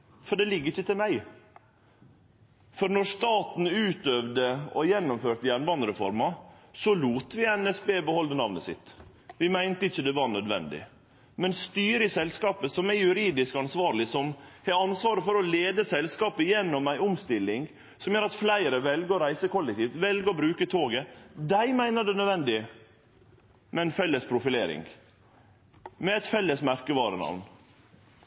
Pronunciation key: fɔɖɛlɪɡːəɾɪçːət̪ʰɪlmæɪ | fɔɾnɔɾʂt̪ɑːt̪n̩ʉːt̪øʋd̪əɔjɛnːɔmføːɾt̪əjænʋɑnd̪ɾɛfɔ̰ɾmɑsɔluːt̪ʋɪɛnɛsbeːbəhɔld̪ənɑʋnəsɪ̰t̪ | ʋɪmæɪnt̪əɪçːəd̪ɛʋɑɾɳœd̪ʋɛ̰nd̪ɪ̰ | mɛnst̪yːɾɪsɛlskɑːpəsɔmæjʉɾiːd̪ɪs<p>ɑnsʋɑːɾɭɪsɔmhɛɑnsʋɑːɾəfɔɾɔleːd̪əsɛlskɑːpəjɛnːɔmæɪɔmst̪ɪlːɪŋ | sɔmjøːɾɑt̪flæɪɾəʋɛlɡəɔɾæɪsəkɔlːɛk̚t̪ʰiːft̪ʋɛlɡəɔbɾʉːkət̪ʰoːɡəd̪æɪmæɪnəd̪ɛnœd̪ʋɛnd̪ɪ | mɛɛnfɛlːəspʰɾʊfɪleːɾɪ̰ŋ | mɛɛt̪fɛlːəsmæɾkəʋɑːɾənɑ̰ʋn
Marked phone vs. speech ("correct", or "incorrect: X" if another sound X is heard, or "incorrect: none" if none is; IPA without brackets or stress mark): incorrect: k